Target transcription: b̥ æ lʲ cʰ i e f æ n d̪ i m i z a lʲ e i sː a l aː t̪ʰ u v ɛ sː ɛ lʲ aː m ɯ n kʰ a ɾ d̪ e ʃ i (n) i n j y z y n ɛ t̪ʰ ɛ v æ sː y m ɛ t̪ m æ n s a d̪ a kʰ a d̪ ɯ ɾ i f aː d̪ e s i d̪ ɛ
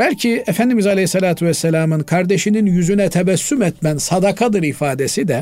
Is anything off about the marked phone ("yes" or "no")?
no